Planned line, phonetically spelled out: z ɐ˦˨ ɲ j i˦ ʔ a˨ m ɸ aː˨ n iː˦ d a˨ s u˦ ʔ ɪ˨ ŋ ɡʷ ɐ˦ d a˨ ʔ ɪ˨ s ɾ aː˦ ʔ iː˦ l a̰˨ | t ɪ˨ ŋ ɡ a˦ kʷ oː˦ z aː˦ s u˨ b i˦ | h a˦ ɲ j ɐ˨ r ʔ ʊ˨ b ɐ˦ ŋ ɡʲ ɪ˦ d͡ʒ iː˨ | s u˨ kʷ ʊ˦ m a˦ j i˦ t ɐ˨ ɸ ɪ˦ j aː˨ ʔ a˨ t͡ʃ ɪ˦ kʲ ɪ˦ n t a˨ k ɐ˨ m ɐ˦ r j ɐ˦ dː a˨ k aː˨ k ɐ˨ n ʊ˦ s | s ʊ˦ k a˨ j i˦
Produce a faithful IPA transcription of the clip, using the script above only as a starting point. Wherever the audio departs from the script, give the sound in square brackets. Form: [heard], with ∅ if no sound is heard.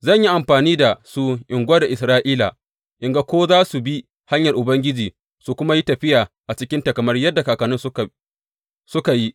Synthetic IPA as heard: z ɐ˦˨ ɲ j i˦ ʔ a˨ m ɸ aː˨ n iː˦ d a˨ s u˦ ʔ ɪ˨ ŋ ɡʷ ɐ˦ d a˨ ʔ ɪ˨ s ɾ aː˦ ʔ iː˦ l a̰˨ | [ʔ] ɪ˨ ŋ ɡ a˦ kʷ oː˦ z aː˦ s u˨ b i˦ | h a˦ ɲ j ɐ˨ r ʔ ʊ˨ b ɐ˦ ŋ ɡʲ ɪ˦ d͡ʒ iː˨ | s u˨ kʷ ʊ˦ m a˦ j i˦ t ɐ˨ ɸ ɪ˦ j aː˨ ʔ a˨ t͡ʃ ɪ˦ kʲ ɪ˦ n t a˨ k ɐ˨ m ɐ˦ r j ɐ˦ dː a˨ k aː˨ k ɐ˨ n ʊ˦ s | s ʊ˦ k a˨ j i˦